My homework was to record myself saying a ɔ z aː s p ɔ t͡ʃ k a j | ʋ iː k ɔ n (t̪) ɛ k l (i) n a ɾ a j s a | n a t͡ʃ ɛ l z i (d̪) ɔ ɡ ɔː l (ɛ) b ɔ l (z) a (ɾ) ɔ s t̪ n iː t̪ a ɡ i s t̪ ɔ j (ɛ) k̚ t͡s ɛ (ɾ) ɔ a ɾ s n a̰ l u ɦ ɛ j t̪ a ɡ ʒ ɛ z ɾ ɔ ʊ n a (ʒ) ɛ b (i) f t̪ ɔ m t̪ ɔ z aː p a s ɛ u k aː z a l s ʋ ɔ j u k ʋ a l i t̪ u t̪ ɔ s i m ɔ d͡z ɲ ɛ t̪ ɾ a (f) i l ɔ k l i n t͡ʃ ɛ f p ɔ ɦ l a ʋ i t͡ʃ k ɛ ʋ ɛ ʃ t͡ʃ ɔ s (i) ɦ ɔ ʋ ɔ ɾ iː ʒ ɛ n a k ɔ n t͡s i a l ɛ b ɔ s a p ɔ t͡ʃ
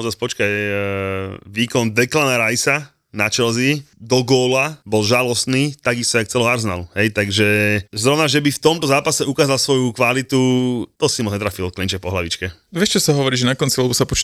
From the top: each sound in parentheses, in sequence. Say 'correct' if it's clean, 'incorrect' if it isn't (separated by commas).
incorrect, incorrect, correct, incorrect, incorrect, incorrect, incorrect, incorrect, correct, correct, correct, incorrect